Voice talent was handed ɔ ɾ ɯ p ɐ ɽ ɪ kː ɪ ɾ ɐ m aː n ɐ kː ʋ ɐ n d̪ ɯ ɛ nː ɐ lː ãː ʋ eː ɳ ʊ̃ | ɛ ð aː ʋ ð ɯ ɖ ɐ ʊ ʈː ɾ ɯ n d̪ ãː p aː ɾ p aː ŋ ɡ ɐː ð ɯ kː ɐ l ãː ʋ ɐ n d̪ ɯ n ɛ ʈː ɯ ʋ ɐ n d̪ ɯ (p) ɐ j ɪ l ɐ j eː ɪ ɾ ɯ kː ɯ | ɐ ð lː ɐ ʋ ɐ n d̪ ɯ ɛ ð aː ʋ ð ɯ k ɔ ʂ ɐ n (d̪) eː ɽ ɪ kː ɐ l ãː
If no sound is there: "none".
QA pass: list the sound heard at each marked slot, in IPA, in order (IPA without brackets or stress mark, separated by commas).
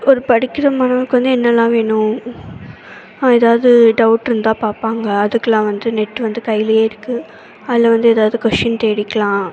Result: k, t̪